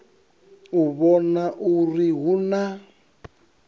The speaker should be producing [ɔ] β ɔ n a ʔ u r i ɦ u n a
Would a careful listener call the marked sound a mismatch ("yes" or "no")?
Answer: yes